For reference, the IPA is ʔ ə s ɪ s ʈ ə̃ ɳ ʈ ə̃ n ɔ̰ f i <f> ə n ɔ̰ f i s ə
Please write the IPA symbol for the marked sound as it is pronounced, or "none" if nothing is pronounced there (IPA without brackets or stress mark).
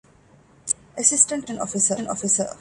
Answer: s